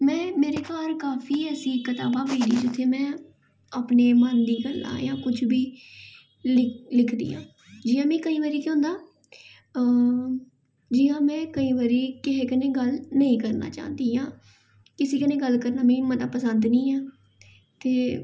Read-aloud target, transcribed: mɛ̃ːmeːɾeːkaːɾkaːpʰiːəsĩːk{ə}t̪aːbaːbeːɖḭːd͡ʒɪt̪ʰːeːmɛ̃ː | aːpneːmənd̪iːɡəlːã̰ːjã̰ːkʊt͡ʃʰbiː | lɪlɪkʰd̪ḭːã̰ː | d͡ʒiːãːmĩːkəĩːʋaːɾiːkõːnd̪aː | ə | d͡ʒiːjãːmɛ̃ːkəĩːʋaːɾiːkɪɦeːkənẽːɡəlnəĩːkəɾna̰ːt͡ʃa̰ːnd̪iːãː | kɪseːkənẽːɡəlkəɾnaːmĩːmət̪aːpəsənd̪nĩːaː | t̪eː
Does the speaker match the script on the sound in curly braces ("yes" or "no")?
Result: yes